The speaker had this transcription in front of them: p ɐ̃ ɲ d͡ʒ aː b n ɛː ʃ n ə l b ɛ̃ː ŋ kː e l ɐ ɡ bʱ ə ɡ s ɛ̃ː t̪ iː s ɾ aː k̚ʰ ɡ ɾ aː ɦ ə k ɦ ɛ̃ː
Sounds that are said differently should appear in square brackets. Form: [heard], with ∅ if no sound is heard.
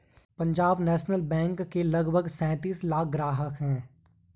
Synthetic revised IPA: p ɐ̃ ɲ d͡ʒ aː b n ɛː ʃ n ə l b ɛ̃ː ŋ kː e l ɐ ɡ bʱ ə ɡ s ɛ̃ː t̪ iː s [l] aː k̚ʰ ɡ ɾ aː ɦ ə k ɦ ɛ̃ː